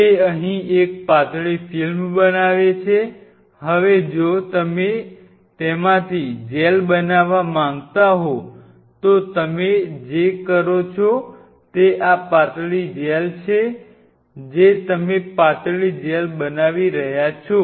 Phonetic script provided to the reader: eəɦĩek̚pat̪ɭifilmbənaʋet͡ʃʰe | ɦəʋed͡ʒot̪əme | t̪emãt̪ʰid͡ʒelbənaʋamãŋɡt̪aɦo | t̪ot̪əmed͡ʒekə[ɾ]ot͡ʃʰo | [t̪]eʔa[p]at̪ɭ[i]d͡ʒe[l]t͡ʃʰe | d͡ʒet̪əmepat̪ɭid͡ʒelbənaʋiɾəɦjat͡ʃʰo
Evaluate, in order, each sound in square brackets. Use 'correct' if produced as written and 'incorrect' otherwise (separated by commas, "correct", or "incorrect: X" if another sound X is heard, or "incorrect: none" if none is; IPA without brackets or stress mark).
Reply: correct, correct, correct, correct, correct